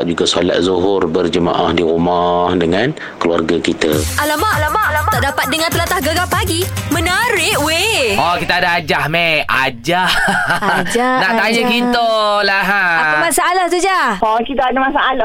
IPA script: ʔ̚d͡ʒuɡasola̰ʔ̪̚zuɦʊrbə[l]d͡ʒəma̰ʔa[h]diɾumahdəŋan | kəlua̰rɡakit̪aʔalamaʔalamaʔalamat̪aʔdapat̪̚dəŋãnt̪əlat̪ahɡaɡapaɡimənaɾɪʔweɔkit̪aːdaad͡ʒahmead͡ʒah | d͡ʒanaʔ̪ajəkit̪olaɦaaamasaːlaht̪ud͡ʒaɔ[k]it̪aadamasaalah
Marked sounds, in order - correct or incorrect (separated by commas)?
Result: incorrect, correct, correct